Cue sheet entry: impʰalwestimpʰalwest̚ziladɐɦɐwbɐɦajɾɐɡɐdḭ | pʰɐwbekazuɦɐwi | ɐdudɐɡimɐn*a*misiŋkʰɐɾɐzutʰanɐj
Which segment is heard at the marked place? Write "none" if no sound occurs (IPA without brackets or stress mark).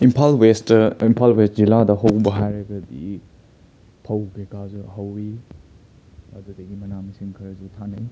a